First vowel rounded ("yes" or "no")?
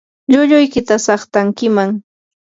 yes